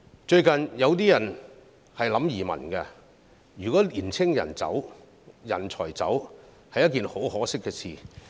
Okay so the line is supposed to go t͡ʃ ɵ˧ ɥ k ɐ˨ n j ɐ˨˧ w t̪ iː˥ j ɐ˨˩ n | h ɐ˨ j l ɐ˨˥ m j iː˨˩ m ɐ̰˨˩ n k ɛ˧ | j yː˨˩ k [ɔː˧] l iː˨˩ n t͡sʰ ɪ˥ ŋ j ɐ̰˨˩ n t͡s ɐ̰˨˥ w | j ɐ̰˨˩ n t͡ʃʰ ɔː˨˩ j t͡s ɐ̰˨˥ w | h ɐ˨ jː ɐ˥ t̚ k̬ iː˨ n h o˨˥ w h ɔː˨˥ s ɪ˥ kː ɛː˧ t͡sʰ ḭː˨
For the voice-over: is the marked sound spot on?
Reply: no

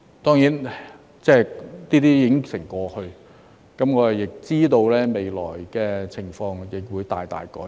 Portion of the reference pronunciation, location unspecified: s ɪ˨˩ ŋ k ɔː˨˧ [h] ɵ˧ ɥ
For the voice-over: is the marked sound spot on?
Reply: yes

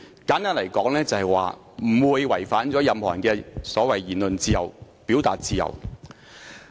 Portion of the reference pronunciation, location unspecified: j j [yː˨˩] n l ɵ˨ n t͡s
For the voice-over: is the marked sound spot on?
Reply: no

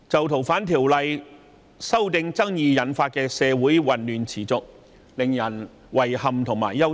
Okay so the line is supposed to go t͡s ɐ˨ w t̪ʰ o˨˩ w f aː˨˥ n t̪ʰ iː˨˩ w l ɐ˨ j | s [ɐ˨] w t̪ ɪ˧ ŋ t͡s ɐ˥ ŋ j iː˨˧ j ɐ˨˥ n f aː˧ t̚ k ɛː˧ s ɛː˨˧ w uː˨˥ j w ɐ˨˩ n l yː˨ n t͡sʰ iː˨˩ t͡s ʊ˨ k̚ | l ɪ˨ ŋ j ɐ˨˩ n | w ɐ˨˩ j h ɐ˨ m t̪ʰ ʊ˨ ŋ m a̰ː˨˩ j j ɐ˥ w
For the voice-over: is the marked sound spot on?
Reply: no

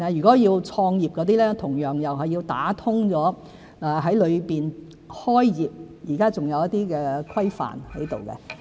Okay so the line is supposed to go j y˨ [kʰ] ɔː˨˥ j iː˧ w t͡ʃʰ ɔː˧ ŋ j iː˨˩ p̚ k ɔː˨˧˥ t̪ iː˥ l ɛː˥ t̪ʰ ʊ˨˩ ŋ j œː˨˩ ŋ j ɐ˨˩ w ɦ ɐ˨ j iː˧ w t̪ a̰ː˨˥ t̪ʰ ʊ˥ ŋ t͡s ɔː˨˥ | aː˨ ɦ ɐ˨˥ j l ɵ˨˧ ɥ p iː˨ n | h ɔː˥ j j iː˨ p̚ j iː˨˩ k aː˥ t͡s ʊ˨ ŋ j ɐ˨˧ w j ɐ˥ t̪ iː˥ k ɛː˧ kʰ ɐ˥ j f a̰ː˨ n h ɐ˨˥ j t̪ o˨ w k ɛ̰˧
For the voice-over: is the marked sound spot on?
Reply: no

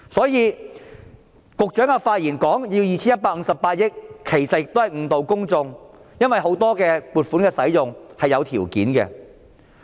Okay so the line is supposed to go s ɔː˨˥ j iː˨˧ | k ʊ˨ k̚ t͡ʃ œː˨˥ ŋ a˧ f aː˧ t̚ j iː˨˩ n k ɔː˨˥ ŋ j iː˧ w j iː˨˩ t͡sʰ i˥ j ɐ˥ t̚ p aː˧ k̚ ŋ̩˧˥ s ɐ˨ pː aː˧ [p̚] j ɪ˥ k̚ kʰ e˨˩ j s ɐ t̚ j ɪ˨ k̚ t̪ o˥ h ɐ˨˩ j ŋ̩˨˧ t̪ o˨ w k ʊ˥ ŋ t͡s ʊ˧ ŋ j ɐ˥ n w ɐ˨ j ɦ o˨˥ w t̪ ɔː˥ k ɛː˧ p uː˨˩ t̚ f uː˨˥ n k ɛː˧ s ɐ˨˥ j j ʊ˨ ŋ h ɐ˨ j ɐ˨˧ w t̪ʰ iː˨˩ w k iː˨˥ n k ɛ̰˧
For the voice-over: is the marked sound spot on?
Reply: no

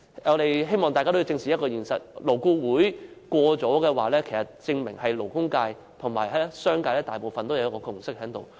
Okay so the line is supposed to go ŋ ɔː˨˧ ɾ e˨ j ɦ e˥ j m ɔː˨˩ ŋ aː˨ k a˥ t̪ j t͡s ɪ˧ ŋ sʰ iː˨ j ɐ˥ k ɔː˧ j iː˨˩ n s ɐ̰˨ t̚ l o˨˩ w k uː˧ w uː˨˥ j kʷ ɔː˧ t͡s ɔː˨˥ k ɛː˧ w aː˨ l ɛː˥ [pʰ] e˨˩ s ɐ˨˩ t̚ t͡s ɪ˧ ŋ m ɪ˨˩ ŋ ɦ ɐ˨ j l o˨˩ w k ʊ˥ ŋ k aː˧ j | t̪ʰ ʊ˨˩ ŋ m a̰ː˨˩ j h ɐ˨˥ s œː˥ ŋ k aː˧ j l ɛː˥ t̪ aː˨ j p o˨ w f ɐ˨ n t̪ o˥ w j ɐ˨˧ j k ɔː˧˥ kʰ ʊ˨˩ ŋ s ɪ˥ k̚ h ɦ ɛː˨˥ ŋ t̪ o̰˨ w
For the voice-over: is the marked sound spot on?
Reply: no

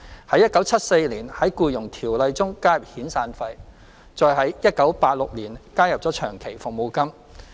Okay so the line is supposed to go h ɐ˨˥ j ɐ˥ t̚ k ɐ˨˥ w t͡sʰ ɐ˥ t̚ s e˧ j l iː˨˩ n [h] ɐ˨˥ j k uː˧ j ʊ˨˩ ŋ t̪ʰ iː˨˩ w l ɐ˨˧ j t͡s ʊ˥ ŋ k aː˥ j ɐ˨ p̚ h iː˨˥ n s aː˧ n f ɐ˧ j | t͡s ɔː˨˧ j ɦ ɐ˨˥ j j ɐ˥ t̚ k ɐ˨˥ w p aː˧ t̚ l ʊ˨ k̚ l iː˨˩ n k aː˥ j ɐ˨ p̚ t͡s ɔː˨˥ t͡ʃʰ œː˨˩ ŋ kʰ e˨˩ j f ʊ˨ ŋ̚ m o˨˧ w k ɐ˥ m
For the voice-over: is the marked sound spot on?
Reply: yes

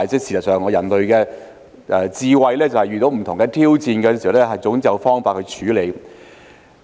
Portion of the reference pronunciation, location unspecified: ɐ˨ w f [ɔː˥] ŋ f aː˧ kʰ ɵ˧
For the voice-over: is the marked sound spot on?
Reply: yes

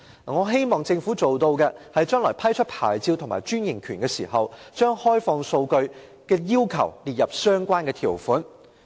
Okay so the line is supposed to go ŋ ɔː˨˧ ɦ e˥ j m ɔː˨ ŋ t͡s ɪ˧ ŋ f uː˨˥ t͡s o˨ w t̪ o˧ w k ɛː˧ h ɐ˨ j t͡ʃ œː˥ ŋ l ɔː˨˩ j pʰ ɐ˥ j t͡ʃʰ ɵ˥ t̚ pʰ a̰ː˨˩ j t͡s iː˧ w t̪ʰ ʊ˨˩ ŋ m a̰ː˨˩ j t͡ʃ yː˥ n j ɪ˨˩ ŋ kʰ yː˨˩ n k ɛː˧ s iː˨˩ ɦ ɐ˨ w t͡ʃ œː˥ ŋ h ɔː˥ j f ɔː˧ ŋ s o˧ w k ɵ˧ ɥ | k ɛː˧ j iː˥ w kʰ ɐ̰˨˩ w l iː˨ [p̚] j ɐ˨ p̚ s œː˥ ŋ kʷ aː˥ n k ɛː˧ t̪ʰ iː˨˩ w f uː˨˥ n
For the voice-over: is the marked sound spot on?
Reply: no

